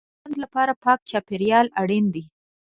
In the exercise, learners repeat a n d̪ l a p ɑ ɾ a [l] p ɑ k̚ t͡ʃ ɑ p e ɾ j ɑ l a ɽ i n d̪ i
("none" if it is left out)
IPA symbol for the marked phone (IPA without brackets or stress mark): none